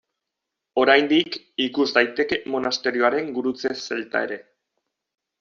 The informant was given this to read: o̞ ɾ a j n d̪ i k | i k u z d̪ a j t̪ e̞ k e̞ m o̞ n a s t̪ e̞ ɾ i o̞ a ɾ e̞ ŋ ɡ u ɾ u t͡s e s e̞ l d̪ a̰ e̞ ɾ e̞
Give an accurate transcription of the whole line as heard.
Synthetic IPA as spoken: o̞ ɾ a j n d̪ i k | i k u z d̪ a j t̪ e̞ k e̞ m o̞ n a s t̪ e̞ ɾ i o̞ a ɾ e̞ ŋ ɡ u ɾ u t͡s e s e̞ l t̪ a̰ e̞ ɾ e̞